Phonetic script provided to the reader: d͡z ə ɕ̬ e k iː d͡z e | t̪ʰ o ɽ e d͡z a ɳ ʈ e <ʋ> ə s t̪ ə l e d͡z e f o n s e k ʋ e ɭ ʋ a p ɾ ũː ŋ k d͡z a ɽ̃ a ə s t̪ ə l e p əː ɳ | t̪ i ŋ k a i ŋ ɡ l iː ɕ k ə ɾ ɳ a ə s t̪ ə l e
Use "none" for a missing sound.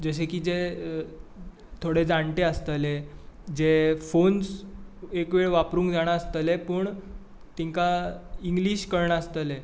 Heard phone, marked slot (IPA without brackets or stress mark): none